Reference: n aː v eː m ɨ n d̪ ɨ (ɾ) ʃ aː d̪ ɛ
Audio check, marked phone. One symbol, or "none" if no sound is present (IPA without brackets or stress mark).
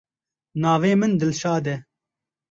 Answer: l